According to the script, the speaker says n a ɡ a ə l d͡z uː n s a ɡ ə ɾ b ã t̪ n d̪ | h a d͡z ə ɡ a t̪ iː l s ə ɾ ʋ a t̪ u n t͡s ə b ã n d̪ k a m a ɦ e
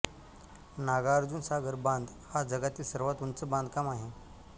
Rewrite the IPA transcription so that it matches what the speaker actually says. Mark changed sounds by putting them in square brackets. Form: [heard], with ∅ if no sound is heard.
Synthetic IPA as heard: n a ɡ a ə [ɾ] d͡z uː n s a ɡ ə ɾ b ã [∅] n d̪ | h a d͡z ə ɡ a t̪ iː l s ə ɾ ʋ a t̪ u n t͡s ə b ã n d̪ k a m a ɦ e